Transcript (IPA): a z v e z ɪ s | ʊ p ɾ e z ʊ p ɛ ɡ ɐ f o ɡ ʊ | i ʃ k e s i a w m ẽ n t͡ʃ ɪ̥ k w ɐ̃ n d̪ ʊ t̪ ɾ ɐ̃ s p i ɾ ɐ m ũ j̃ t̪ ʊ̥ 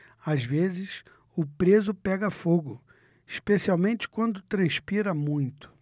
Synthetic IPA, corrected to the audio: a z v e z ɪ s | ʊ p ɾ e z ʊ p ɛ ɡ ɐ f o ɡ ʊ | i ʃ p e s i a w m ẽ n t͡ʃ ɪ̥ k w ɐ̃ n d̪ ʊ t̪ ɾ ɐ̃ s p i ɾ ɐ m ũ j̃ t̪ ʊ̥